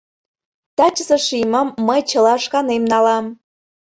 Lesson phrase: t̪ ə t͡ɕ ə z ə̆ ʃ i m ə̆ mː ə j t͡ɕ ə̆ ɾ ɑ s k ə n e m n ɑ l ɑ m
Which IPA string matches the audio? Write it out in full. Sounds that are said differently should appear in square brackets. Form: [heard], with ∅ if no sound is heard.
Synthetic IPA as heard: t̪ [ɑ] t͡ɕ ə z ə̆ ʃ i m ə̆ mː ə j t͡ɕ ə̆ [l] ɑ [ʃ] k [ɑ] n e m n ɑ l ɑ m